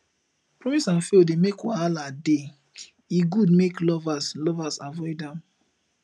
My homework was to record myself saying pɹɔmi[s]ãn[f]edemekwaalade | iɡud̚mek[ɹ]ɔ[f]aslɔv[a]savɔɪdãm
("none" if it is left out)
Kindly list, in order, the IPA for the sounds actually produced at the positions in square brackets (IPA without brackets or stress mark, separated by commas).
s, f, l, v, a